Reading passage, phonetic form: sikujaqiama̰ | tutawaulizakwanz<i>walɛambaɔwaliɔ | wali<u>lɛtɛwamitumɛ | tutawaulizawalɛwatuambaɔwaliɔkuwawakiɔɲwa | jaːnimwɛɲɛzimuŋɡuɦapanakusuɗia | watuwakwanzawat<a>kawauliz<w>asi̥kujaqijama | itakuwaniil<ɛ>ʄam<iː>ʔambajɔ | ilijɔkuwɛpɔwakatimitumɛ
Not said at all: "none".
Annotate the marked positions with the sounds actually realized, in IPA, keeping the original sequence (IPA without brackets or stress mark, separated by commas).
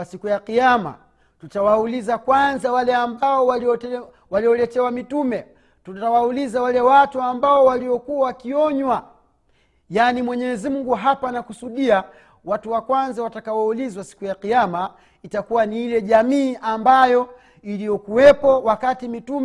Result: a, ɔ, a, w, ɛ, iː